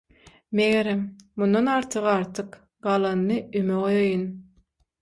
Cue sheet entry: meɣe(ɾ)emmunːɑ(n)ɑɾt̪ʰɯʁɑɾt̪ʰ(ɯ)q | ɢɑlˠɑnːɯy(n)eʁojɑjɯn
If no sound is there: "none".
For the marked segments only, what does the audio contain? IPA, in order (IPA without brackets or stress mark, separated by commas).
ɾ, n, ɯ, m